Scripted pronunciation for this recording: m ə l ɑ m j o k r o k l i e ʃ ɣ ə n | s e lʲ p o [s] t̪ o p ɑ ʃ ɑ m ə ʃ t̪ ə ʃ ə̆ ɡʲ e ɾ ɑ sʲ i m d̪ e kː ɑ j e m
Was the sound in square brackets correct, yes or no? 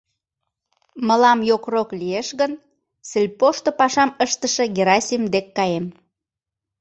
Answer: no